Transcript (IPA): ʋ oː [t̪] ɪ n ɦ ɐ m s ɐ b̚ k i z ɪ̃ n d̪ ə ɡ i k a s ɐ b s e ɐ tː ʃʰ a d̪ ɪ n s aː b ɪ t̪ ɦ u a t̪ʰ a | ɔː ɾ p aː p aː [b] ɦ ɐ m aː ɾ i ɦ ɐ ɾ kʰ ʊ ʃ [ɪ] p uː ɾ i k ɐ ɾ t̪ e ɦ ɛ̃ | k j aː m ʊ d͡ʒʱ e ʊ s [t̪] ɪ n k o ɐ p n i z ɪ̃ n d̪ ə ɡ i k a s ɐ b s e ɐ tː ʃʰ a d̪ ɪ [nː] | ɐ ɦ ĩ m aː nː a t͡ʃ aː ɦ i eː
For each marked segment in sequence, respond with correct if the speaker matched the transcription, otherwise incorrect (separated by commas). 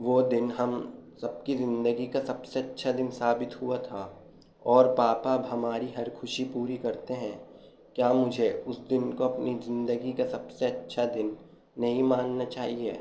incorrect, correct, incorrect, incorrect, correct